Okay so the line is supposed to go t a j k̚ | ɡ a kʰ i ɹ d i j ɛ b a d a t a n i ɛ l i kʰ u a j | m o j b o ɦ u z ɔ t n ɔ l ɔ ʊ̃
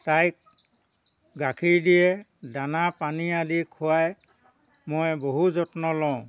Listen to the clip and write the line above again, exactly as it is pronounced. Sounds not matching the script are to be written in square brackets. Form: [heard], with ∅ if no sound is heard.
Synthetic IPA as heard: t a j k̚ | ɡ a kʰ i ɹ d i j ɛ [d] a [n] a [p] a n i [a] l i kʰ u a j | m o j b o ɦ u z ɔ t n ɔ l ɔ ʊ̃